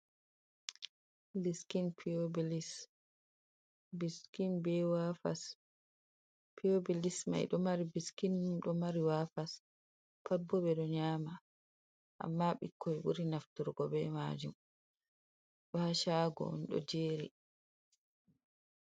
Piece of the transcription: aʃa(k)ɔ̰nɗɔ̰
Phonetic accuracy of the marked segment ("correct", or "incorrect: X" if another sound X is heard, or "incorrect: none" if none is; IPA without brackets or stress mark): incorrect: ɡ